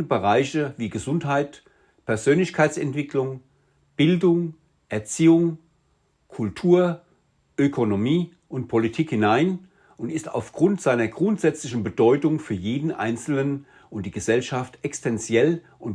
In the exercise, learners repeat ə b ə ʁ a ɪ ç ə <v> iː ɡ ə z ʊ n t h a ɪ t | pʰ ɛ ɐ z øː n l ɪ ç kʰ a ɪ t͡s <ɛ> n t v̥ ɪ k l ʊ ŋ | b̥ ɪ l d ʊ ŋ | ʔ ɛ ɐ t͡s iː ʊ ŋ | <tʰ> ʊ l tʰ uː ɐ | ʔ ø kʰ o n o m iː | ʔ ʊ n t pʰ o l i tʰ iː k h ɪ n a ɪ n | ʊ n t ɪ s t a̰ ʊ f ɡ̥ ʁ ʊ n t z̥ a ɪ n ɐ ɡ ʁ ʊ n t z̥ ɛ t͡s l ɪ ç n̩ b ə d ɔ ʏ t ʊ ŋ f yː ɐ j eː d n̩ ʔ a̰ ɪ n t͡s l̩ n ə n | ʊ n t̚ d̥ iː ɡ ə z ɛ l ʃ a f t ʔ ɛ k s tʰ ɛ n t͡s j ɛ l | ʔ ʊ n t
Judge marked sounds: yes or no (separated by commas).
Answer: yes, yes, no